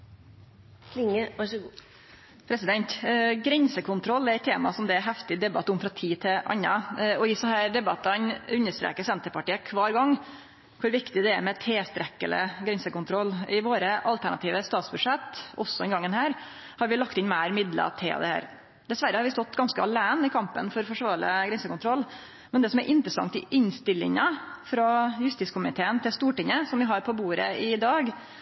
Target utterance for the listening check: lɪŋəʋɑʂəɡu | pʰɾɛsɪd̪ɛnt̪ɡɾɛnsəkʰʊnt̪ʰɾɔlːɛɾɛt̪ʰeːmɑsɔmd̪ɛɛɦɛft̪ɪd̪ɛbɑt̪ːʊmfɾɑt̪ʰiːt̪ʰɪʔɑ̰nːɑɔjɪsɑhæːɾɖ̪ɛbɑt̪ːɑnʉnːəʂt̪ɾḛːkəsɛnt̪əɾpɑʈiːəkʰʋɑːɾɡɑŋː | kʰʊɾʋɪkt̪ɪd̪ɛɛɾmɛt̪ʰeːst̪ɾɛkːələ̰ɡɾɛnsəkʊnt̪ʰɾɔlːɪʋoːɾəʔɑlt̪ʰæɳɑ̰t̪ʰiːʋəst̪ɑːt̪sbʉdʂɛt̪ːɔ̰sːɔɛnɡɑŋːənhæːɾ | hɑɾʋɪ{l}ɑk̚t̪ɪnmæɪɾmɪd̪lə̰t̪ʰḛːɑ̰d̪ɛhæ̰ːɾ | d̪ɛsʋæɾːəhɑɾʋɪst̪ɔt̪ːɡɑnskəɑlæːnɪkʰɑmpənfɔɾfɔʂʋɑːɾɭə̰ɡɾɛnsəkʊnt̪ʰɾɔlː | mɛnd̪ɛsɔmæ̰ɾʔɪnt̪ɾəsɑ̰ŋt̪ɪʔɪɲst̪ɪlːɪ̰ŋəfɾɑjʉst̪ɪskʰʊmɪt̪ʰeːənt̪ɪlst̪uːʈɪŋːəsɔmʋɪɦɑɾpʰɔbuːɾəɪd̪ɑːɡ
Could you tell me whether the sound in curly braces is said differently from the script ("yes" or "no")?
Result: no